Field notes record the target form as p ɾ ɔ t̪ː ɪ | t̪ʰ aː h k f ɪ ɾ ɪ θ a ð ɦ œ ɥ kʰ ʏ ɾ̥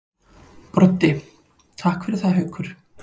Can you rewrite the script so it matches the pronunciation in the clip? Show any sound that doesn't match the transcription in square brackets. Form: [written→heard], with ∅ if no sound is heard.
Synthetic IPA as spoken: p ɾ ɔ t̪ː ɪ | t̪ʰ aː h k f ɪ ɾ ɪ θ a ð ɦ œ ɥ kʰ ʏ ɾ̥